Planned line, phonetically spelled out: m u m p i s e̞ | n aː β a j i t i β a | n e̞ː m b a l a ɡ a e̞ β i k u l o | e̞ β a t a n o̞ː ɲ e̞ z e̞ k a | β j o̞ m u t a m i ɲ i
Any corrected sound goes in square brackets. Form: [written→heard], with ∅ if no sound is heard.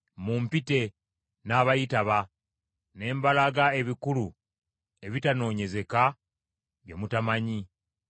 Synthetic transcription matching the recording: m u m p i [s→t] e̞ | n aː β a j i t [i→a] β a | n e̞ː m b a l a ɡ a e̞ β i k u l [o→u] | e̞ β [a→i] t a n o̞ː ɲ e̞ z e̞ k a | β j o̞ m u t a m [i→a] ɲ i